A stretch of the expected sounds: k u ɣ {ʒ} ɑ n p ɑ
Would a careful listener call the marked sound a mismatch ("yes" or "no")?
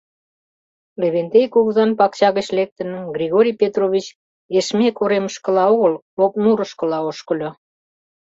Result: yes